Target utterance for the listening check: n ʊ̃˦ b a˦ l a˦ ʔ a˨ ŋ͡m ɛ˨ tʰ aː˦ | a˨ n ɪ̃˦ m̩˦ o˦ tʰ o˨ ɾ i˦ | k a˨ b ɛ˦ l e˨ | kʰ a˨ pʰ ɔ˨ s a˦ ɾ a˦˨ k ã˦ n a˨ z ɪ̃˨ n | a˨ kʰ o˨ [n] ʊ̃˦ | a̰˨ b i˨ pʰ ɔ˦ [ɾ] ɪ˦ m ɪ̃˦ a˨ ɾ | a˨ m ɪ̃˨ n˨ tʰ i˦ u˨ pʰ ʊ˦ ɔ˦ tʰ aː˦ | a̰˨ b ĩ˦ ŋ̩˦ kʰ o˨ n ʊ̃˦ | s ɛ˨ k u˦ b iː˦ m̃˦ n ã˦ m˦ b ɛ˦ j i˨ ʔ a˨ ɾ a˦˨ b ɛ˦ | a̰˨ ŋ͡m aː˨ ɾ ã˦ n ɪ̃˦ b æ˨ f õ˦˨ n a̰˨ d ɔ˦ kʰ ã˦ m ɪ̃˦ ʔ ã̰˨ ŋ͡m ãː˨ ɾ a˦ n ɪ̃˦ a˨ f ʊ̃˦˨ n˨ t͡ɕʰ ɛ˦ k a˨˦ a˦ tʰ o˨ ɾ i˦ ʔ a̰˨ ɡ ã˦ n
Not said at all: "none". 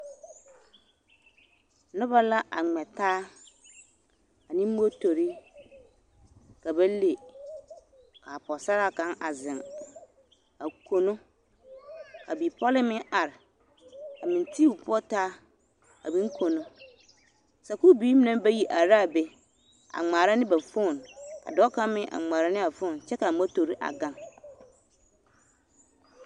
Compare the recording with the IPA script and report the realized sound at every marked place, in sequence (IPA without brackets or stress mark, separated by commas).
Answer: n, l